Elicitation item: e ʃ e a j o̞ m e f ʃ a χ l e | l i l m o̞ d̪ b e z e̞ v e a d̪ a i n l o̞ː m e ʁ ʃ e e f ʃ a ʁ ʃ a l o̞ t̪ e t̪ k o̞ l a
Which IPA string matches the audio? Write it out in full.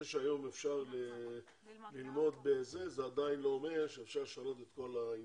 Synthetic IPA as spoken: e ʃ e a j o̞ m e f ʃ a ʁ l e | l i l m o̞ d̪ b e z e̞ z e a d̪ a i n l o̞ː m e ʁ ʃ e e f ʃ a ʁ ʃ a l o̞ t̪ e t̪ k o̞ l a